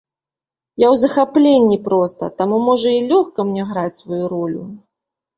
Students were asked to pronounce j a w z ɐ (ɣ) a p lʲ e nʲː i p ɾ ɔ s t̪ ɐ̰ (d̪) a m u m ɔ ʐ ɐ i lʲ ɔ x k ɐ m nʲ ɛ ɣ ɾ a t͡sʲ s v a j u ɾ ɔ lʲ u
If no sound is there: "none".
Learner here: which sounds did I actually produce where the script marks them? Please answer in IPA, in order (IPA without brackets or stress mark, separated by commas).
x, t̪